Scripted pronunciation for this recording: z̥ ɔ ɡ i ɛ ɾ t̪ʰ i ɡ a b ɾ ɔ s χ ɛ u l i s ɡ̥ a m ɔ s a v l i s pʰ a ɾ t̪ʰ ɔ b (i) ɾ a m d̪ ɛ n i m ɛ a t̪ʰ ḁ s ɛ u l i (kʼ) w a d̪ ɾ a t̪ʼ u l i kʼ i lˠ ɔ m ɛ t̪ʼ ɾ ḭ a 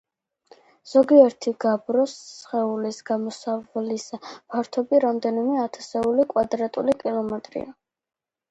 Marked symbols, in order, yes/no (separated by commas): yes, yes